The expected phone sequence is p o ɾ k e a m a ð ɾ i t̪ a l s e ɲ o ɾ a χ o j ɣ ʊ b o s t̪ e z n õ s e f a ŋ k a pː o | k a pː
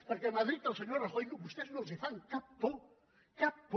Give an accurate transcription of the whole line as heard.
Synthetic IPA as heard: p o ɾ k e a m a ð ɾ i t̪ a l s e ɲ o ɾ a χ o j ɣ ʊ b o s t̪ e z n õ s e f a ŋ k a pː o | k a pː